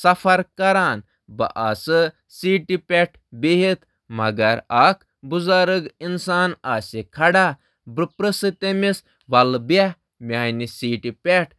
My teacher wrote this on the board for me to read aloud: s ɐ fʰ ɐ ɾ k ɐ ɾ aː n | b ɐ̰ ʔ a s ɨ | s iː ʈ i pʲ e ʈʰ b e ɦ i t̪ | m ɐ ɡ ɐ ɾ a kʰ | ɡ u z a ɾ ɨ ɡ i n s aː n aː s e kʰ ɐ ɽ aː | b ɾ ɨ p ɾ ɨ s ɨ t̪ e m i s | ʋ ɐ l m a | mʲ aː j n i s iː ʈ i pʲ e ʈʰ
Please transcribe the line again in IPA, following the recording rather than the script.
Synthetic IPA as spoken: s ɐ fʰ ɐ ɾ k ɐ ɾ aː n | b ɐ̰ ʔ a s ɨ | s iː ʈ i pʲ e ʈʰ b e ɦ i t̪ | m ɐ ɡ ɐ ɾ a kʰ | b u z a ɾ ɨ ɡ i n s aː n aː s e kʰ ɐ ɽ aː | b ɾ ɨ p ɾ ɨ s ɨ t̪ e m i s | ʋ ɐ l b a | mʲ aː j n i s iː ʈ i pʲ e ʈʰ